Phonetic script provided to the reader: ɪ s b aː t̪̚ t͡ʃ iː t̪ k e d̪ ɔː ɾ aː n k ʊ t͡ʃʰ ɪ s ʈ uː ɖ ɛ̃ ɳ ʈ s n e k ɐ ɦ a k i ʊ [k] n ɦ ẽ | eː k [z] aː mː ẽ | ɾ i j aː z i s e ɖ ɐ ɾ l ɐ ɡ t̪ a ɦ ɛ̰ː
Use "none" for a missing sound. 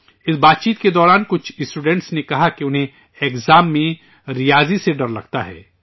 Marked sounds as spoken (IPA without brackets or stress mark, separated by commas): none, z